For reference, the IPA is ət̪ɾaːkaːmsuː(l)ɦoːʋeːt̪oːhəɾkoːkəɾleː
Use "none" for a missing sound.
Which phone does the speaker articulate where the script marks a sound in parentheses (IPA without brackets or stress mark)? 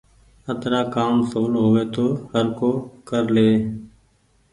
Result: l